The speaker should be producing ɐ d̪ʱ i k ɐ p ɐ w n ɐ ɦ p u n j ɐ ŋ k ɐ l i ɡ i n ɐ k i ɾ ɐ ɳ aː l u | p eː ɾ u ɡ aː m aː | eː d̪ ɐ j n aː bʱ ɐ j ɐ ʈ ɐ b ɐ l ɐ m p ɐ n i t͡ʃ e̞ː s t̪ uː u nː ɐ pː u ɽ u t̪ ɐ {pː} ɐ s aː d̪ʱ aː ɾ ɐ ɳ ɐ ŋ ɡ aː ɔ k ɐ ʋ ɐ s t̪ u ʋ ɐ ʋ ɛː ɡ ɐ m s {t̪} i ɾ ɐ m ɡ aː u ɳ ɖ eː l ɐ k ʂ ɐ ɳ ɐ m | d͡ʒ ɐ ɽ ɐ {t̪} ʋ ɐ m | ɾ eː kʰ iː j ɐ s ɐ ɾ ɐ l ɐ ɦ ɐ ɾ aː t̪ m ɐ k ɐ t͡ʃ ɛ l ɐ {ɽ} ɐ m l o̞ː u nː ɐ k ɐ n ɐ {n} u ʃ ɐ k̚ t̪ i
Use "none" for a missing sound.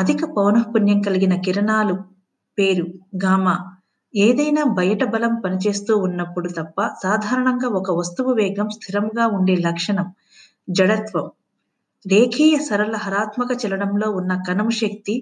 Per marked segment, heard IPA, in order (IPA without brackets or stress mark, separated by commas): pː, t̪ʰ, t̪, ɽ, m